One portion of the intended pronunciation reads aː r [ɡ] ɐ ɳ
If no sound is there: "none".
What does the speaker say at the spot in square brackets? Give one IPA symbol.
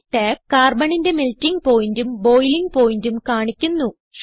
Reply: b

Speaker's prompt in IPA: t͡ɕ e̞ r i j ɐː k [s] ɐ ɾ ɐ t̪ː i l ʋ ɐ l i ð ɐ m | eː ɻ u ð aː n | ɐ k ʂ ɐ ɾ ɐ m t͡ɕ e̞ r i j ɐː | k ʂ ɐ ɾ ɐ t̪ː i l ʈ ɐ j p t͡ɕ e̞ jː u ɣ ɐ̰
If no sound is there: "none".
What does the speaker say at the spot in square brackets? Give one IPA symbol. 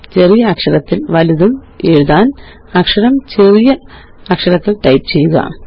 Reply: ʂ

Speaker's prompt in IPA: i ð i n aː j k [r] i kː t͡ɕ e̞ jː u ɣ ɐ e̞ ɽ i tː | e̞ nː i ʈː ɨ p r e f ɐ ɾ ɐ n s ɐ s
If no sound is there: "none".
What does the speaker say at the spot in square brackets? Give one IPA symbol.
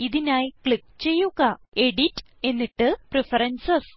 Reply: ɭ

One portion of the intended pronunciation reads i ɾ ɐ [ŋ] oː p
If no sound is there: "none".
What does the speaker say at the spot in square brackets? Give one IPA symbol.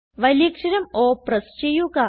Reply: m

